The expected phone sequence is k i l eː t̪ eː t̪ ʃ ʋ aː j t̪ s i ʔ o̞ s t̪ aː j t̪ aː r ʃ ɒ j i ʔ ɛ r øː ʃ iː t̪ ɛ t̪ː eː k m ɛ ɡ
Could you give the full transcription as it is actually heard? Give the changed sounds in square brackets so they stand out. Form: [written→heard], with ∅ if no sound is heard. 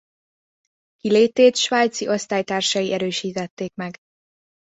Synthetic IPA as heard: k i l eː t̪ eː t̪ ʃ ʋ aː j t̪ s i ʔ o̞ s t̪ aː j t̪ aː r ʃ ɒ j i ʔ ɛ [r→ɾ] øː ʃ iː t̪ ɛ t̪ː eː k m ɛ ɡ